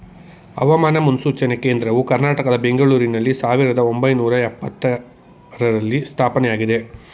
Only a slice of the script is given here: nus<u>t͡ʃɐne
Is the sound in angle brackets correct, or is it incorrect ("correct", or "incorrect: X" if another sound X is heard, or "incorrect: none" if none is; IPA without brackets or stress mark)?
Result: incorrect: uː